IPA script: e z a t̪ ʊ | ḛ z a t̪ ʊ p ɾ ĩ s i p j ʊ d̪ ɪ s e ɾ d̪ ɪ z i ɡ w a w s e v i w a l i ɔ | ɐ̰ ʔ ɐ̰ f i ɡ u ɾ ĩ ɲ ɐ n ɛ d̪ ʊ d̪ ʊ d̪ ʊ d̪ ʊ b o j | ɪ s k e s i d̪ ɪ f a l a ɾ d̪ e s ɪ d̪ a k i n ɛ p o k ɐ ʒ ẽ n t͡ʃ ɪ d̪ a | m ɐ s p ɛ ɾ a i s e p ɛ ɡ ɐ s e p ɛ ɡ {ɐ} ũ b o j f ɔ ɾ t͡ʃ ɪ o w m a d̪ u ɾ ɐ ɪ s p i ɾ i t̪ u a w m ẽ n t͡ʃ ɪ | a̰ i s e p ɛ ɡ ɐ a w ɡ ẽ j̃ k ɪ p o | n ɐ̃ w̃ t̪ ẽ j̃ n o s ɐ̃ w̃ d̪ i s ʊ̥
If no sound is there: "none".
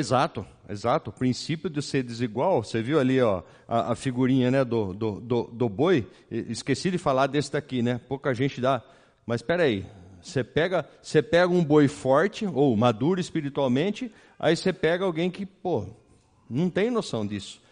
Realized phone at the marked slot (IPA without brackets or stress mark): ɐ